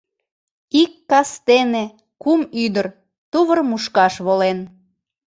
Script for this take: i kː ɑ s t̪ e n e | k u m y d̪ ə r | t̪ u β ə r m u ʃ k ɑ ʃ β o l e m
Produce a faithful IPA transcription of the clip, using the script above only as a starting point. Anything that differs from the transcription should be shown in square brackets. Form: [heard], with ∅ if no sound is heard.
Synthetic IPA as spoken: i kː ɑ s t̪ e n e | k u m y d̪ ə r | t̪ u β ə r m u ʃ k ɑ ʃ β o l e [n]